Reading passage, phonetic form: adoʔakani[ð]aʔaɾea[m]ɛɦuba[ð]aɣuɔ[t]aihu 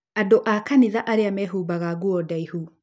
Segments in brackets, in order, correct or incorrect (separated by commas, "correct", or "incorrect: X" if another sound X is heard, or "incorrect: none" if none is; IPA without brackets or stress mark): correct, correct, incorrect: ɣ, incorrect: d